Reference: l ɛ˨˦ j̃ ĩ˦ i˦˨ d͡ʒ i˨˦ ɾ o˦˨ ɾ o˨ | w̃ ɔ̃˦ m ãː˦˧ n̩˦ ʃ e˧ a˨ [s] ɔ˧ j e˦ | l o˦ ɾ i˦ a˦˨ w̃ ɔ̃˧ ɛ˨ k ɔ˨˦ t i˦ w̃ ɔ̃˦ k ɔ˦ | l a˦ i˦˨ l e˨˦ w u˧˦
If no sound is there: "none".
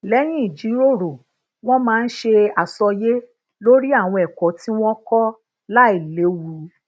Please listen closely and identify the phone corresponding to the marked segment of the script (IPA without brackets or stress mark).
s